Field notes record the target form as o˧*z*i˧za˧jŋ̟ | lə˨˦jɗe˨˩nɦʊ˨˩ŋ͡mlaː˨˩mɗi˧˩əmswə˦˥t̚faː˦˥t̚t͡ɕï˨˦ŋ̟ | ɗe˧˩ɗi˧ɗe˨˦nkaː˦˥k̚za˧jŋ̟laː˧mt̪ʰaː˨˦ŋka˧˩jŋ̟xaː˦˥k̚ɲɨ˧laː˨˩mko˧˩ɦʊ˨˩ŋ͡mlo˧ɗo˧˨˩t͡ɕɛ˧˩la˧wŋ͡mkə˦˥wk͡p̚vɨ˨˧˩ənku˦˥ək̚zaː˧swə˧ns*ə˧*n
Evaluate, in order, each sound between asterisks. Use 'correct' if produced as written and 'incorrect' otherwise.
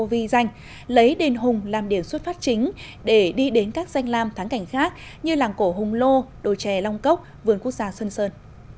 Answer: incorrect, incorrect

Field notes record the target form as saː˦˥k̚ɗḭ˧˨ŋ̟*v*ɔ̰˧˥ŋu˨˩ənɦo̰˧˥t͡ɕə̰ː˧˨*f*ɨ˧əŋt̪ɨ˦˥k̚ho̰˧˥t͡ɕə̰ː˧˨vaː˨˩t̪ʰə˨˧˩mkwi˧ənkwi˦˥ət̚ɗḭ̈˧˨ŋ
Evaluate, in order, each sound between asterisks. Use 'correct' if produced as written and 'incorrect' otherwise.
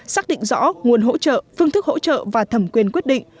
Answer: incorrect, correct

